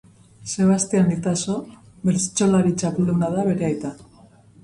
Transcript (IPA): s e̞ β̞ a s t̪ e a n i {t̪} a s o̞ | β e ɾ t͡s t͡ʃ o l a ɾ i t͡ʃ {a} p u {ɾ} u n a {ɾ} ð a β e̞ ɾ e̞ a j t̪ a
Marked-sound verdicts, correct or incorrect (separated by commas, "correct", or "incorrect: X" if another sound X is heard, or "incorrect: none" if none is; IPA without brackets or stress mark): correct, correct, incorrect: l, incorrect: none